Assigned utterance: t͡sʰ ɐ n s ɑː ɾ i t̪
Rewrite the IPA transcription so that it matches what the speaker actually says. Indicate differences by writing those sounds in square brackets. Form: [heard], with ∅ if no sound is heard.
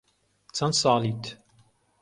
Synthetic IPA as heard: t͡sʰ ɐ n s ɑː [l] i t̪